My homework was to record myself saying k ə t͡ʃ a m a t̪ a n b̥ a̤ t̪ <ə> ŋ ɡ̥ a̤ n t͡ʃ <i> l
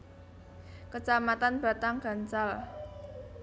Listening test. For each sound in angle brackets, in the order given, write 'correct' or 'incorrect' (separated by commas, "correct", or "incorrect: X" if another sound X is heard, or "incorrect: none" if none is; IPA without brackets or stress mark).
incorrect: a, incorrect: a